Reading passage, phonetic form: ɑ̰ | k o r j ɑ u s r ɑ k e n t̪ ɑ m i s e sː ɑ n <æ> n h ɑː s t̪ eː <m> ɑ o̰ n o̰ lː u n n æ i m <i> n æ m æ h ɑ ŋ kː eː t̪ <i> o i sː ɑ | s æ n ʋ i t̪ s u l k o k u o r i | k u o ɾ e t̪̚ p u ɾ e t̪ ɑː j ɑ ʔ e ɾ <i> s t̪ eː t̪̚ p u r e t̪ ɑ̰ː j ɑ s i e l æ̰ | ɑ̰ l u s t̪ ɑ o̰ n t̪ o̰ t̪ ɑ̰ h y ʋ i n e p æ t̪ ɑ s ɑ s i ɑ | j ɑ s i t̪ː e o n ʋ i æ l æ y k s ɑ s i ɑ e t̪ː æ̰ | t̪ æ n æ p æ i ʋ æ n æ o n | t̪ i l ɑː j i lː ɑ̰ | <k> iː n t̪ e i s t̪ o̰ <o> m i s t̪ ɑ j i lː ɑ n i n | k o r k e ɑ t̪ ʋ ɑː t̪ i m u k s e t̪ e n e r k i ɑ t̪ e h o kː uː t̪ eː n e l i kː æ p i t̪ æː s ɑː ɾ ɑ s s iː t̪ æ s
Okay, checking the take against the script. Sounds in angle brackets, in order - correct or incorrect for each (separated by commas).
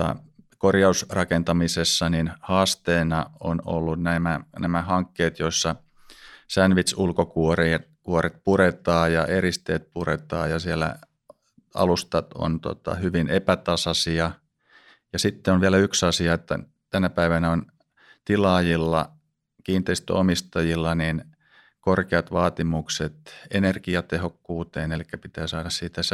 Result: incorrect, incorrect, incorrect, incorrect, correct, correct, correct